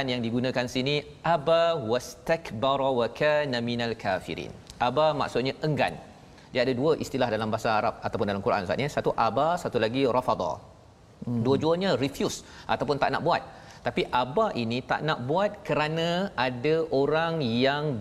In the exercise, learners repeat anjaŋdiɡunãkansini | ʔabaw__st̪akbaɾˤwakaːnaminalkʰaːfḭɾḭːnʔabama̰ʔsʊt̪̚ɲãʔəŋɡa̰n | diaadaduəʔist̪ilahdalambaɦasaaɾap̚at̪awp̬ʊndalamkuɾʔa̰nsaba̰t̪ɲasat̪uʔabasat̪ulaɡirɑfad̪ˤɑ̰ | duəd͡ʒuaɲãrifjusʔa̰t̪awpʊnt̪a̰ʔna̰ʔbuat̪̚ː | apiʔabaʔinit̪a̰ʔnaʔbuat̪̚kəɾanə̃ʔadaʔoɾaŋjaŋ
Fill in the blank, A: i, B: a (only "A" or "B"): B